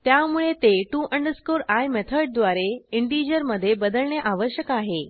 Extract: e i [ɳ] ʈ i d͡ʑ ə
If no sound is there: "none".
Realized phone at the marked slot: ɳ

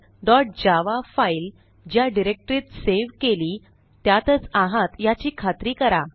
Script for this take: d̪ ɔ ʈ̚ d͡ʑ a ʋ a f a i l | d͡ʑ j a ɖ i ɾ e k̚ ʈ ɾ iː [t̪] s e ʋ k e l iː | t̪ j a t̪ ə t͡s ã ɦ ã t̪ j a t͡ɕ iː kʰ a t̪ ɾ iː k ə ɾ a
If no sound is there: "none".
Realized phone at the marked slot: t̪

